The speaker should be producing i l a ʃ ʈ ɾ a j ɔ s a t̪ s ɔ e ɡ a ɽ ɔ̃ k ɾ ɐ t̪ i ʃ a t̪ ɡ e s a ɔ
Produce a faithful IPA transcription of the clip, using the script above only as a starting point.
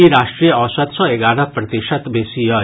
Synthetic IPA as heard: i ɾ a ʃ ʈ ɾ i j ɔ s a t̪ s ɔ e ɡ a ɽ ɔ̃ p ɾ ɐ t̪ i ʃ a t̪ b e s i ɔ

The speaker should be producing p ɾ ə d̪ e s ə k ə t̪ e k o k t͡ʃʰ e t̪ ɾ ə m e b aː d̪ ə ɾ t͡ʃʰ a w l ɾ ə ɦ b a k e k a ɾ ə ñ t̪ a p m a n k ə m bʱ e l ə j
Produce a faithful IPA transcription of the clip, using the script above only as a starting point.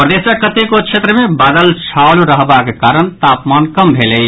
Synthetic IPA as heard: p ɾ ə d̪ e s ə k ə t̪ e k o k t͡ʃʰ e t̪ ɾ ə m e b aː d̪ ə l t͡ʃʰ a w l ɾ ə ɦ b a k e k a ɾ ə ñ t̪ a p m a n k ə m bʱ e l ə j

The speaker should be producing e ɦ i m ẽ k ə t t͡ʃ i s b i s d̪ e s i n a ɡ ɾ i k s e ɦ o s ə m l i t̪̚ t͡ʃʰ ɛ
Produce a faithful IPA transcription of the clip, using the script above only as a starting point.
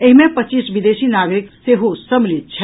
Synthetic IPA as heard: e ɦ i m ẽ p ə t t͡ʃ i s b i d̪ e s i n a ɡ ɾ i k s e ɦ o s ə m l i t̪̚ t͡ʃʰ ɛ

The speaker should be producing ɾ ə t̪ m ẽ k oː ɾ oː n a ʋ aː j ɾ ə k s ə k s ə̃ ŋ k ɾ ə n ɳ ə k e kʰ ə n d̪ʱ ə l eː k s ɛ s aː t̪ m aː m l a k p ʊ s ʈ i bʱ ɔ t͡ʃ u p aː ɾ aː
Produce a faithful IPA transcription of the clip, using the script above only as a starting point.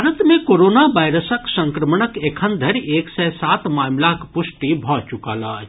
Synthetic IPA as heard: ɾ ə t̪ m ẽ k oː ɾ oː n a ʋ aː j ɾ ə s ə k s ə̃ ŋ k ɾ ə m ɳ ə k e kʰ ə n d̪ʱ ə ɾ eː k s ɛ s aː t̪ m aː m l a k p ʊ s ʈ i bʱ ɔ t͡ʃ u k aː l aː

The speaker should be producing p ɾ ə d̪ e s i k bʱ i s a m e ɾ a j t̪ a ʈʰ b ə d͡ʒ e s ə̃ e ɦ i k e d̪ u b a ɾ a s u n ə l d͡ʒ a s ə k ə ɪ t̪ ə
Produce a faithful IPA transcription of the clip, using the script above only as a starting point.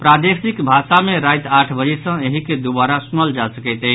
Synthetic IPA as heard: p ɾ a d̪ e s i k bʱ a s a m e ɾ a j t̪ a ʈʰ b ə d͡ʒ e s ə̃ e ɦ i k e d̪ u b a ɾ a s u n ə l d͡ʒ a s ə k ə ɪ t̪ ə

